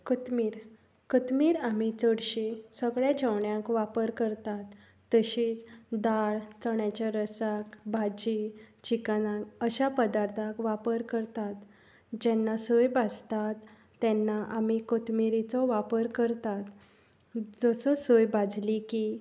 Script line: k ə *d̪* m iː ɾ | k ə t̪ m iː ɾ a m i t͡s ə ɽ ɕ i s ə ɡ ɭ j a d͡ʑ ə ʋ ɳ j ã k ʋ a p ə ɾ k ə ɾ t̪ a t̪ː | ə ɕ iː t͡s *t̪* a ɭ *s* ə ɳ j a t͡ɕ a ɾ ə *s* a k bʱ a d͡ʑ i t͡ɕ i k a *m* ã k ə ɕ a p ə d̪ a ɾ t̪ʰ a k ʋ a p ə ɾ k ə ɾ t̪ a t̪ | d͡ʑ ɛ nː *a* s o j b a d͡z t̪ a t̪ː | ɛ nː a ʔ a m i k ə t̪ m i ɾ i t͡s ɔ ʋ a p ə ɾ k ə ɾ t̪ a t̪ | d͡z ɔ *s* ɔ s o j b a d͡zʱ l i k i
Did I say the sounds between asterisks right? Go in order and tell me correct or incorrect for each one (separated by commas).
incorrect, incorrect, incorrect, correct, incorrect, correct, correct